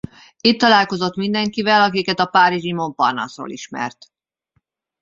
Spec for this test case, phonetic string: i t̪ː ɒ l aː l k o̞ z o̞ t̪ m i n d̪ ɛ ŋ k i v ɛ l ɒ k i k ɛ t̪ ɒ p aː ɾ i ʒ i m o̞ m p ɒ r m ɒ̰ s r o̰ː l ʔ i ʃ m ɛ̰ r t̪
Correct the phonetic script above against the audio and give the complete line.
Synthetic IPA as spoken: i t̪ː ɒ l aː l k o̞ z o̞ t̪ m i n d̪ ɛ ŋ k i v ɛ l ɒ k i k ɛ t̪ ɒ p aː ɾ i ʒ i m o̞ m p ɒ r n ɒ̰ s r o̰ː l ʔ i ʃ m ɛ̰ r t̪